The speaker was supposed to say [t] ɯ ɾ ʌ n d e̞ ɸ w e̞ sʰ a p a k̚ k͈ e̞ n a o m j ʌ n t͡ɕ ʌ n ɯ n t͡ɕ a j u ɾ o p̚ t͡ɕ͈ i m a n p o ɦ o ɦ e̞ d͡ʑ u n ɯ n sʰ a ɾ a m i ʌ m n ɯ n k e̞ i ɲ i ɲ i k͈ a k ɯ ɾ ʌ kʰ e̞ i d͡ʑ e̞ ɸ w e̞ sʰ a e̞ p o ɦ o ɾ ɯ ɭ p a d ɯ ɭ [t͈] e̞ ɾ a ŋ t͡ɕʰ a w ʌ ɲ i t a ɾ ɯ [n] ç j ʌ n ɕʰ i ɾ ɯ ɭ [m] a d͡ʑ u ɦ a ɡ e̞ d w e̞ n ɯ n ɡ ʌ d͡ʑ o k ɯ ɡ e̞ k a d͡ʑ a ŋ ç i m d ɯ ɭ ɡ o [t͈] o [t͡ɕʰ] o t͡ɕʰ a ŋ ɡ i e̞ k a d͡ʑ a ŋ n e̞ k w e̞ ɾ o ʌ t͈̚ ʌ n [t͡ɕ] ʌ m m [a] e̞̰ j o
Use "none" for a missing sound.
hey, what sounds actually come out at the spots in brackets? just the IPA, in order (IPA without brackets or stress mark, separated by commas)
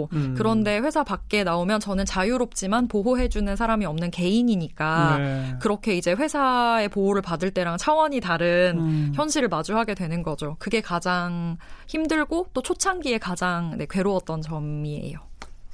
k, t͈, n, m, t͈, t͡ɕʰ, t͡ɕ, i